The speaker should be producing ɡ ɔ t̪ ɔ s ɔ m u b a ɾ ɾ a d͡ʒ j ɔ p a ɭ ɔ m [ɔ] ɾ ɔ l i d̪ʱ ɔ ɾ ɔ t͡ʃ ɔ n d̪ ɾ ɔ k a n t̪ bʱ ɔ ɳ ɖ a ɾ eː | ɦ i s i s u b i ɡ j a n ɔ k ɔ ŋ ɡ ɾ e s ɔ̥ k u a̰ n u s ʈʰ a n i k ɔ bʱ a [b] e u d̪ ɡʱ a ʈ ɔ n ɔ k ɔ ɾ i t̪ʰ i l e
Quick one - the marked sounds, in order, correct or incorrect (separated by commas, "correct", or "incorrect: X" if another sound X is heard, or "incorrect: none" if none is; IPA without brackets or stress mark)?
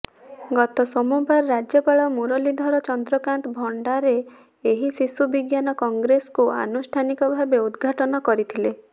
incorrect: u, correct